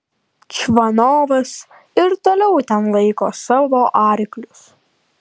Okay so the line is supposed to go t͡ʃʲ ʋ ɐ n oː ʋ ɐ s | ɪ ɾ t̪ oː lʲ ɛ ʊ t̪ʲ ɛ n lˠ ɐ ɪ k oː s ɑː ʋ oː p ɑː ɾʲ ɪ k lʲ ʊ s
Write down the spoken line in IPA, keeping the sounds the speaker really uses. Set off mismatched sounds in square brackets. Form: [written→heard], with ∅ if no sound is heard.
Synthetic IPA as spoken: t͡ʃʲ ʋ ɐ n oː ʋ ɐ s | ɪ ɾ t̪ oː lʲ ɛ ʊ t̪ʲ ɛ n lˠ ɐ ɪ k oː s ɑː ʋ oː [p→ʔ] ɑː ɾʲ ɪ k lʲ ʊ s